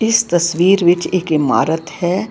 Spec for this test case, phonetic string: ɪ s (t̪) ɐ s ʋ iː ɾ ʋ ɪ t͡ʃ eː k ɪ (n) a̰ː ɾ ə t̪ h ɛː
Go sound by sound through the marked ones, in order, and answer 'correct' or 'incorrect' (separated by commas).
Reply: correct, incorrect